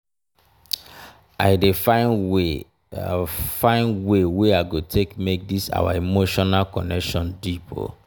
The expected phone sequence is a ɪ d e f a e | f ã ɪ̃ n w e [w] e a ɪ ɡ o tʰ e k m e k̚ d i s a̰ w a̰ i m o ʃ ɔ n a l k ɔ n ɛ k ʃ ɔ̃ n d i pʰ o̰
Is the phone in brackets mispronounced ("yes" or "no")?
no